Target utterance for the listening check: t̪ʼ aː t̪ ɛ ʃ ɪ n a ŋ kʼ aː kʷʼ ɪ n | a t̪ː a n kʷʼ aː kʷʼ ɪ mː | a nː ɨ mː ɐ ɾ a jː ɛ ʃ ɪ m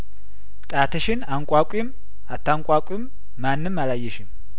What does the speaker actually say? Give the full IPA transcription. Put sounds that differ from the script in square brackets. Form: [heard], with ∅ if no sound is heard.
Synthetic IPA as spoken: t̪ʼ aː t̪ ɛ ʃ ɪ n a ŋ kʼ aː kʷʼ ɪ [m] | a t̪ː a [ŋ] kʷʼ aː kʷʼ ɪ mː | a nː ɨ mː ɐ [l] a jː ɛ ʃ ɪ m